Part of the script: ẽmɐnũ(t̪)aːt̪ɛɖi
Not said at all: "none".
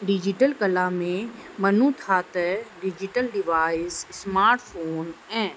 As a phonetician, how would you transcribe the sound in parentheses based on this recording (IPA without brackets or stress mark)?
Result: t̪ʰ